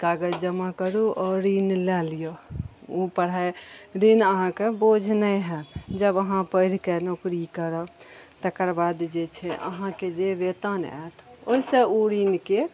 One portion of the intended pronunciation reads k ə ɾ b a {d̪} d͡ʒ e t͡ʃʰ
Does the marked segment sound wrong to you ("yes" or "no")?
no